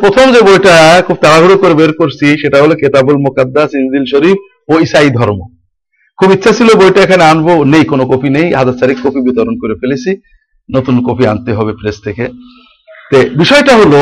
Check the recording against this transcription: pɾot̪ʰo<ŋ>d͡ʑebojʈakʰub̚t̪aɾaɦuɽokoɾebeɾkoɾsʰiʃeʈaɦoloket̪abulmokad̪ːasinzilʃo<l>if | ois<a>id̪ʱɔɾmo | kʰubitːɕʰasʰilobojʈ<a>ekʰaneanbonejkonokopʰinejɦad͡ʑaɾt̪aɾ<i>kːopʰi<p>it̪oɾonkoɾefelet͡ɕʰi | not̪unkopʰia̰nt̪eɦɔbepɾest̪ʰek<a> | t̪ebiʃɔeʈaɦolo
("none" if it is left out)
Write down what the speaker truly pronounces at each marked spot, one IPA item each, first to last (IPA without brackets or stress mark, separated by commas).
m, ɾ, a, a, i, b, e